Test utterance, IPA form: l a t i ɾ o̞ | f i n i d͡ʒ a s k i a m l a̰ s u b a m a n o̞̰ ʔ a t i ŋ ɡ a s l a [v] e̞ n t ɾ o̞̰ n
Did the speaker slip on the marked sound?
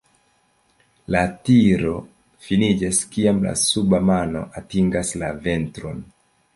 no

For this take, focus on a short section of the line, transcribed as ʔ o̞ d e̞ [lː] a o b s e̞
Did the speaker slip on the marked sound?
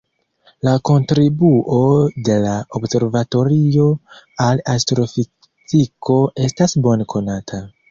yes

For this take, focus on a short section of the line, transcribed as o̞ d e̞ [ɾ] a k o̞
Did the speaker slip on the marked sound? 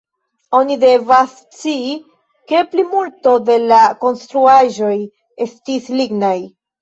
yes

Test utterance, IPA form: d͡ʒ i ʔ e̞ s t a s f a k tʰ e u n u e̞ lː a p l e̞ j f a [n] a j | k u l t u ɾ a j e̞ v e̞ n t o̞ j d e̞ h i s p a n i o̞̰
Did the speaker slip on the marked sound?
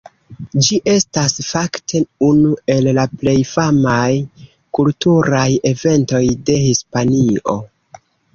yes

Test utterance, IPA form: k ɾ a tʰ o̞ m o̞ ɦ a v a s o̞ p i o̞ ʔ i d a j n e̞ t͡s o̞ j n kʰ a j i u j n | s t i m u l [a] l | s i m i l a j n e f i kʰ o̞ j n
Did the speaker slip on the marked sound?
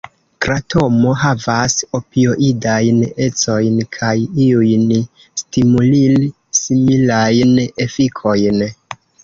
yes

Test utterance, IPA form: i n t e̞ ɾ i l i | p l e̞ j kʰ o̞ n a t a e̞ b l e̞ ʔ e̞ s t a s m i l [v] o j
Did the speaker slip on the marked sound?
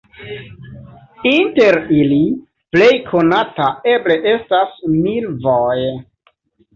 no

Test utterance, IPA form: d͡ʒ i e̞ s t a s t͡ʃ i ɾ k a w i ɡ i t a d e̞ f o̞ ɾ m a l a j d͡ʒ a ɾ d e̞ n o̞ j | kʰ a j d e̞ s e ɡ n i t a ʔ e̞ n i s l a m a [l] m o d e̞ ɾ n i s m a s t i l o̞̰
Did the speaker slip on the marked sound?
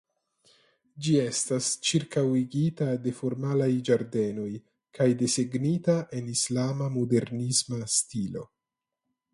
yes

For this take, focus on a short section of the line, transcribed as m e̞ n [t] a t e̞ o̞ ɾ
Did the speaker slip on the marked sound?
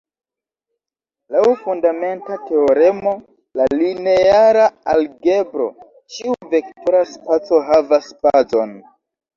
no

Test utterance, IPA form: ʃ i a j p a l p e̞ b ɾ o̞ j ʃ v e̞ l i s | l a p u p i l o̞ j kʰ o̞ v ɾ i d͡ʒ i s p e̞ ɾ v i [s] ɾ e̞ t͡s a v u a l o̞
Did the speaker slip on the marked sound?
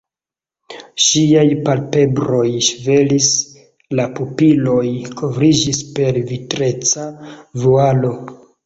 yes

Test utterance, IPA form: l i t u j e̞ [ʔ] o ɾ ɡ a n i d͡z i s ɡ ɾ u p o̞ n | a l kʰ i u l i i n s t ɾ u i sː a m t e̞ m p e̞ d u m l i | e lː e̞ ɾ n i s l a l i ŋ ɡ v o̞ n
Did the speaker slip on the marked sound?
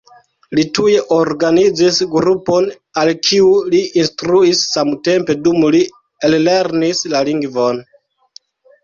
no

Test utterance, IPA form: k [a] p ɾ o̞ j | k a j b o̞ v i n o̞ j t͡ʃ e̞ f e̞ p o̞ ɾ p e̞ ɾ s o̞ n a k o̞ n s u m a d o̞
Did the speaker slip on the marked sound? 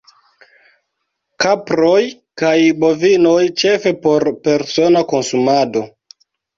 no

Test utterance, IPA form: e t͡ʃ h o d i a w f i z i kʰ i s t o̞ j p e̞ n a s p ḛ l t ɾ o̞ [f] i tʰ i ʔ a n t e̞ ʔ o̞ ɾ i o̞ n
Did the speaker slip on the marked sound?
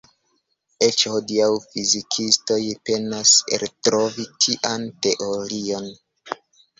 yes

